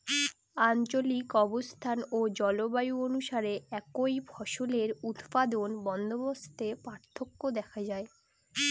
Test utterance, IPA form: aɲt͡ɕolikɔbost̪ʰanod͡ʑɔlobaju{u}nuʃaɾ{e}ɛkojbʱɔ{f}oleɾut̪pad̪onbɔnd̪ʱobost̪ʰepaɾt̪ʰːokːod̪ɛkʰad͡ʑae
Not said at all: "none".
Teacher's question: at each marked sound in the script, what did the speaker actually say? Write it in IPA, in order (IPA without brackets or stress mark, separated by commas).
o, e, ʃ